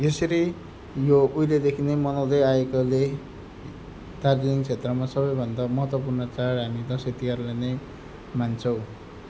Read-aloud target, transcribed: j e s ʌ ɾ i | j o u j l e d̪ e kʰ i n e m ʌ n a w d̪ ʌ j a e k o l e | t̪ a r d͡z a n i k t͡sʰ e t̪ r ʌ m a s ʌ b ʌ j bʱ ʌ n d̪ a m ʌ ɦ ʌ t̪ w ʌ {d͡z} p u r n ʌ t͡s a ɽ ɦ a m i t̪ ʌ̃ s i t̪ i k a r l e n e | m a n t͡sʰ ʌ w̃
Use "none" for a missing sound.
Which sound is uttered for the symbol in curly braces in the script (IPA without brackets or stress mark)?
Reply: none